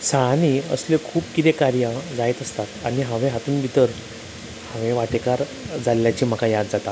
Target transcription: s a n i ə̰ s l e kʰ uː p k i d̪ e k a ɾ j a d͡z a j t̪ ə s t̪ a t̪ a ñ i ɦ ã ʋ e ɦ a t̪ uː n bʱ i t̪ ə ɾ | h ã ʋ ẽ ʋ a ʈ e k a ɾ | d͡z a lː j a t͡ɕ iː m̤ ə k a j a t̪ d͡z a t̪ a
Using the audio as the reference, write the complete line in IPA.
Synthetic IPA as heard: s a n i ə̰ s l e kʰ uː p k i t̪ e k a ɾ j a d͡z a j t̪ ə s t̪ a t̪ a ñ i ɦ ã ʋ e ɦ a t̪ uː n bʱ i t̪ ə ɾ | h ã ʋ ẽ ʋ a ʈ e k a ɾ | d͡z a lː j a t͡ɕ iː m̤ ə k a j a d̪ d͡z a t̪ a